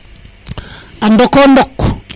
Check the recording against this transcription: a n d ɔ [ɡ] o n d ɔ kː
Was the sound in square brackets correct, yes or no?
no